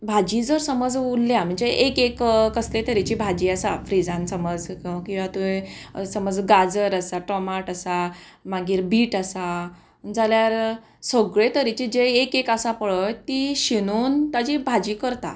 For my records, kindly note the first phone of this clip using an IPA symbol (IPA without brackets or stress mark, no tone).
bʱ